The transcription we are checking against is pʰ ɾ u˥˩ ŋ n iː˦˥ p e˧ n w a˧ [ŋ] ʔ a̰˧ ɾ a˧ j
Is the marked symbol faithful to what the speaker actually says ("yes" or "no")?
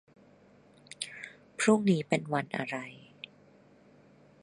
no